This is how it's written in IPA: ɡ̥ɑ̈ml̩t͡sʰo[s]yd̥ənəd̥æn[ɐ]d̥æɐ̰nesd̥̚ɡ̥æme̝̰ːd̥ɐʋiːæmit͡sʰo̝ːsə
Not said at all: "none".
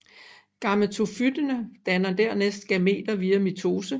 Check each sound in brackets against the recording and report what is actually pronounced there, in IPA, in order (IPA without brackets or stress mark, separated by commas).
f, ɐ